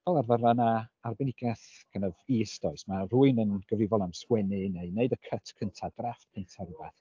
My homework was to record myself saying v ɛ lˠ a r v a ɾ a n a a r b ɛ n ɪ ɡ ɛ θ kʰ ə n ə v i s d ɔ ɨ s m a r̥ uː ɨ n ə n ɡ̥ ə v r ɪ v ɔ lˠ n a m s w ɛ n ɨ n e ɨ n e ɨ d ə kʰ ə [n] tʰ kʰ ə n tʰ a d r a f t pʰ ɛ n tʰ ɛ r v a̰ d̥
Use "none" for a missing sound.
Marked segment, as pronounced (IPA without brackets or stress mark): none